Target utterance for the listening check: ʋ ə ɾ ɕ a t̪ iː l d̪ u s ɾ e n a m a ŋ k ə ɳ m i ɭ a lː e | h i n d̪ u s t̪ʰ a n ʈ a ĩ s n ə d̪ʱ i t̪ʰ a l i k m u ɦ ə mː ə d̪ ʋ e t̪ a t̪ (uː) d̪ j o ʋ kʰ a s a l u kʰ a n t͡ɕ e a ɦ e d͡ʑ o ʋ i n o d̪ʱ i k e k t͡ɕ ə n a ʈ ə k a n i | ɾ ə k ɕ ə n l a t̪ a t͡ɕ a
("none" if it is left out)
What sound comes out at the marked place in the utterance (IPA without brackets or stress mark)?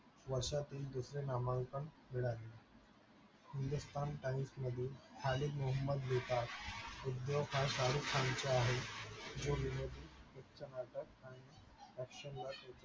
u